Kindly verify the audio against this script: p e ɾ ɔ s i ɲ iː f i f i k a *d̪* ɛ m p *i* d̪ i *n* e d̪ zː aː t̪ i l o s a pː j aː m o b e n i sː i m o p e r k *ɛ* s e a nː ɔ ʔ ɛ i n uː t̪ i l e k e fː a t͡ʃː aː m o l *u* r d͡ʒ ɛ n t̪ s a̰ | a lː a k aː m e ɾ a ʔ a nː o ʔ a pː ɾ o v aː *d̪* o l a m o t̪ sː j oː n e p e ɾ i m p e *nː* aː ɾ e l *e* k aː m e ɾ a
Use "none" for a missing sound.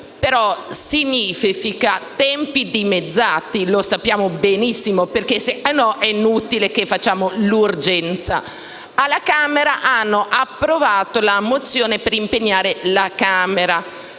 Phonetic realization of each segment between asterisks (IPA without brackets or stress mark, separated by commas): t̪, i, m, e, u, t̪, ɲː, a